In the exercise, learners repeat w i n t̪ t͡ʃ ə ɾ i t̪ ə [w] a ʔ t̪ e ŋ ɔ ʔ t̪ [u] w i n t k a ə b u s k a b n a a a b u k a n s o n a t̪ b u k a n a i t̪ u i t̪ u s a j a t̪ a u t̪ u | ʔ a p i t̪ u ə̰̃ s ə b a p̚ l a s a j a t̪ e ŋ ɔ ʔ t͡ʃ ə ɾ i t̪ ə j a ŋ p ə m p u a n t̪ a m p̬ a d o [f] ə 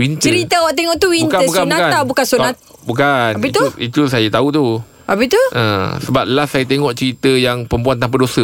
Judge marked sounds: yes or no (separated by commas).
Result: yes, yes, no